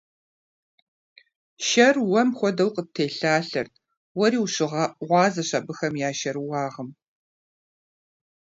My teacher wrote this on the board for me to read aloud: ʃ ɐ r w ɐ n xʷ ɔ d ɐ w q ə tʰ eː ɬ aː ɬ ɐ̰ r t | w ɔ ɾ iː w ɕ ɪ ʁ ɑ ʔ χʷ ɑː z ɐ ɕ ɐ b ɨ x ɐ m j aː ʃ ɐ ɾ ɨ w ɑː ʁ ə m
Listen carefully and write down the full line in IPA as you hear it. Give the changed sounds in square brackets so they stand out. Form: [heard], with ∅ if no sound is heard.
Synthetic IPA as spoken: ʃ ɐ r w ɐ [m] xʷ ɔ d ɐ w q ə tʰ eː ɬ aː ɬ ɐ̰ r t | w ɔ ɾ iː w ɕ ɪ ʁ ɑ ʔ [ʁʷ] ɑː z ɐ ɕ ɐ b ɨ x ɐ m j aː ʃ ɐ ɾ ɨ w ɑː ʁ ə m